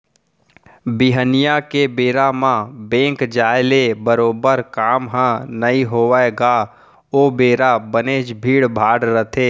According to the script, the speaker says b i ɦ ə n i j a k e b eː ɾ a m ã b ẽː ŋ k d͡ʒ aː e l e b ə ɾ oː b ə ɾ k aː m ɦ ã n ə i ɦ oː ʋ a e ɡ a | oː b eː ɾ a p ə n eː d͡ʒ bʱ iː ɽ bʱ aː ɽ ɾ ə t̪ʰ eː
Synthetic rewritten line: b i ɦ ə n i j a k e b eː ɾ a m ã b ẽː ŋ k d͡ʒ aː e l e b ə ɾ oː b ə ɾ k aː m ɦ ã n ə i ɦ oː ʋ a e ɡ a | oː b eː ɾ a b ə n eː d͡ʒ bʱ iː ɽ bʱ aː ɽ ɾ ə t̪ʰ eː